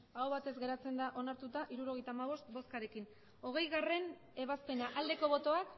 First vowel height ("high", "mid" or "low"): low